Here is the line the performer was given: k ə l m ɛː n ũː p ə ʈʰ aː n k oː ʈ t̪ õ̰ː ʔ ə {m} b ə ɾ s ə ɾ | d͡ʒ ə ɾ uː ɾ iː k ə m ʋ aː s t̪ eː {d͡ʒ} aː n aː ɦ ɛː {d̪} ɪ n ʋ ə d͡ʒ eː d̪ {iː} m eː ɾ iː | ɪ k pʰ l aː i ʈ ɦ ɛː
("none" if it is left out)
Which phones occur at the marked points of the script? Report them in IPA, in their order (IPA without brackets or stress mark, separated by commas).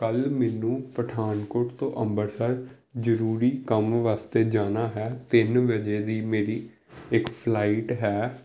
m, d͡ʒ, t̪, iː